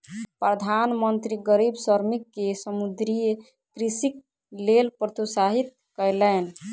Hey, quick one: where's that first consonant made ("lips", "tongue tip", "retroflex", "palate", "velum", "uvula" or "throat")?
lips